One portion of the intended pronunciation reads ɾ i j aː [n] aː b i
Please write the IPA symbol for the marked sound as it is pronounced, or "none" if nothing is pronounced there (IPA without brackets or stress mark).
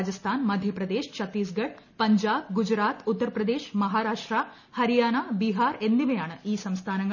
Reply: n